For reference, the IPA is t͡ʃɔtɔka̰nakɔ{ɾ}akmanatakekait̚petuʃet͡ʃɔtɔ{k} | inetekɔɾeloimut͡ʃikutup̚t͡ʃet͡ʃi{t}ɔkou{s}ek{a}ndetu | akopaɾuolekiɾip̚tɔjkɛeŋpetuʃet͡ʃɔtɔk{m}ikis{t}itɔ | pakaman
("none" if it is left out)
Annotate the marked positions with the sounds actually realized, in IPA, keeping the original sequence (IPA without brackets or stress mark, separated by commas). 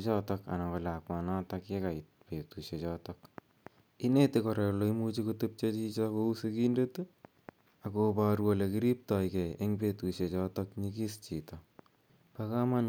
l, k, t͡ʃ, s, i, ɲ, t͡ʃ